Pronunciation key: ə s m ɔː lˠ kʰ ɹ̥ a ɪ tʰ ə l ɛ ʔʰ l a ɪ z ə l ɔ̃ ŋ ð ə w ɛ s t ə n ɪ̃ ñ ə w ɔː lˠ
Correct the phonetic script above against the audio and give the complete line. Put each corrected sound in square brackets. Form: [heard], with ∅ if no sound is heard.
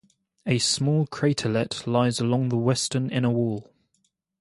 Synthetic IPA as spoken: ə s m ɔː lˠ kʰ ɹ̥ [e] ɪ tʰ ə l ɛ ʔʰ l a ɪ z ə l [ɒ̃] ŋ ð ə w ɛ s t ə n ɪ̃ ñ ə w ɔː lˠ